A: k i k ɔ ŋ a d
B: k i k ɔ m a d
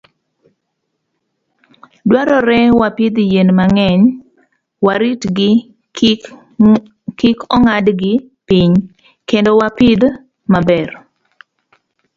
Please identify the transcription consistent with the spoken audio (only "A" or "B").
A